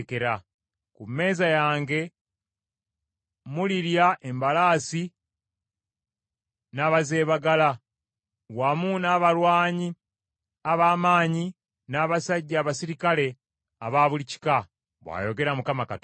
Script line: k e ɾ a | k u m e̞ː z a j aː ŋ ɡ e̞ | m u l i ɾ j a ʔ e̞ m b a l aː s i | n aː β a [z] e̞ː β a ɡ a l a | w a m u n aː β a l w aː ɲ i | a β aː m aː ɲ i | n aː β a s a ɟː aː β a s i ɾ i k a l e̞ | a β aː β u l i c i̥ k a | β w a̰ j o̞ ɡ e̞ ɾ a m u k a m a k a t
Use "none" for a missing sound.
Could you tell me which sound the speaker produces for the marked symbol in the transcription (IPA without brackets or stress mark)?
z